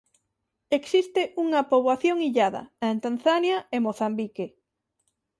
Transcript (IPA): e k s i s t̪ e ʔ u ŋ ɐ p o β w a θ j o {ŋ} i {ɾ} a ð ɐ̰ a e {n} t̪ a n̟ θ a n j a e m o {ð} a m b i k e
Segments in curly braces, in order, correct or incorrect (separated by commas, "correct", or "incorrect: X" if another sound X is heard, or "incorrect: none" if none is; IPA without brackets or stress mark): correct, incorrect: ʎ, correct, incorrect: θ